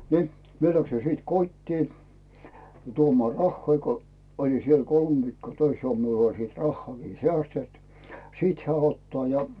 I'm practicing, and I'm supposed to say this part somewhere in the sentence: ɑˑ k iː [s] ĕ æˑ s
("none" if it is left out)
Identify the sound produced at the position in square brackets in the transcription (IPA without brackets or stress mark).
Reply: s